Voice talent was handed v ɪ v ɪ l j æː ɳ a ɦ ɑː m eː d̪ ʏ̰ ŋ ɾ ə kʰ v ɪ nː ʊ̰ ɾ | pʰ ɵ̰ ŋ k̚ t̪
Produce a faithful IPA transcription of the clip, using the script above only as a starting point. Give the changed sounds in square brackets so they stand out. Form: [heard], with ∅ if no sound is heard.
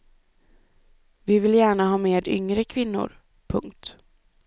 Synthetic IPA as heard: v ɪ v ɪ l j æː ɳ a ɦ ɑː m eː d̪ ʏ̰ ŋ ɾ ə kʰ v ɪ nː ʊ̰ ɾ | pʰ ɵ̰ ŋ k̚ t̪

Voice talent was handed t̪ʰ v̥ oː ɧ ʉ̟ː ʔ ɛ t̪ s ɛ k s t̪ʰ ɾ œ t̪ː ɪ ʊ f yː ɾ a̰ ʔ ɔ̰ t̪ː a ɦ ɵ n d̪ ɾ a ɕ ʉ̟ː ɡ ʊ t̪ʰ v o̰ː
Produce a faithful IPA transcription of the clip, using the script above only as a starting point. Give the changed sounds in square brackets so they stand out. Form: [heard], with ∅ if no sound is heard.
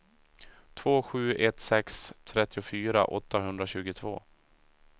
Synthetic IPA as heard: t̪ʰ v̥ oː ɧ ʉ̟ː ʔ ɛ t̪ s ɛ k s t̪ʰ ɾ [ɛ] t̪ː ɪ ʊ f yː ɾ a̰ ʔ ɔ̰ t̪ː a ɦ ɵ n d̪ ɾ a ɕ ʉ̟ː ɡ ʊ t̪ʰ v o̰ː

